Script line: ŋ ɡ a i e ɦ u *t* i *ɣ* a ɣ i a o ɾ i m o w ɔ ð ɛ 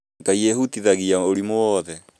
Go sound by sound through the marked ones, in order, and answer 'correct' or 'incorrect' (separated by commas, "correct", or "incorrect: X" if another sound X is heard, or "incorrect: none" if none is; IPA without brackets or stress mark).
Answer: correct, incorrect: ð